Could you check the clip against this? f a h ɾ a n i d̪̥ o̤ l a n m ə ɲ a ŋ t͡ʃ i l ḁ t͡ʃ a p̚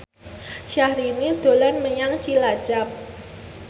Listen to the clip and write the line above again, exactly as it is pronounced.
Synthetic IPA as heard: ʃ a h ɾ i n i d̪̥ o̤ l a n m ə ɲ a ŋ t͡ʃ i l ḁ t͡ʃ a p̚